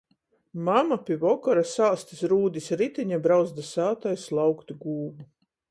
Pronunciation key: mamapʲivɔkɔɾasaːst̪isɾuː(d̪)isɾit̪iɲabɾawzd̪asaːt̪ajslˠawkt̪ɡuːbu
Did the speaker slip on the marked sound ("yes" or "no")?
no